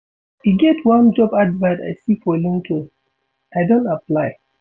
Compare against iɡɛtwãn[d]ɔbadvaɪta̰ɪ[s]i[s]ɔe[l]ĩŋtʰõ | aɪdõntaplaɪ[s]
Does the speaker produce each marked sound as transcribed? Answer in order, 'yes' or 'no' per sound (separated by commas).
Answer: no, yes, no, yes, no